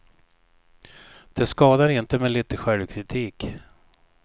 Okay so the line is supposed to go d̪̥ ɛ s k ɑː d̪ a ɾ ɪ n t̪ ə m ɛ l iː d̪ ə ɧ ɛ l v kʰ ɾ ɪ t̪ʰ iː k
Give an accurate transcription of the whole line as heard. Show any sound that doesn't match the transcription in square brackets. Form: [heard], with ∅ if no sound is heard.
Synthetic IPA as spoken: d̪̥ ɛ s k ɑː d̪ a ɾ ɪ n t̪ ə m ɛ l iː [t̪] ə ɧ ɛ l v kʰ ɾ ɪ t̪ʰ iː k